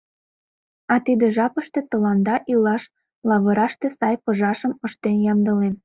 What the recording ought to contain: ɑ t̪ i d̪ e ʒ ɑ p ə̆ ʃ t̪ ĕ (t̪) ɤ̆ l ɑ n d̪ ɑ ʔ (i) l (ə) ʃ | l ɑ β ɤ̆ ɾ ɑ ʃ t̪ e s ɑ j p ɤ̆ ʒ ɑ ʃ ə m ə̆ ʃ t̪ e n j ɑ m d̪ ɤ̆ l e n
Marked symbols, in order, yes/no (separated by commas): yes, yes, no